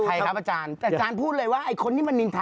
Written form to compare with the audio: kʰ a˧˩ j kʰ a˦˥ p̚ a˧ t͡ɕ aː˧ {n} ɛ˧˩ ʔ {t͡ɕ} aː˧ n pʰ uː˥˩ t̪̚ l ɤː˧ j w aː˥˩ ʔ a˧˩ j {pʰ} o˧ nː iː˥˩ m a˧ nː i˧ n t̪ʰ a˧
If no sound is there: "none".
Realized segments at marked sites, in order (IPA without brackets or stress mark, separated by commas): n, t͡ɕ, kʰ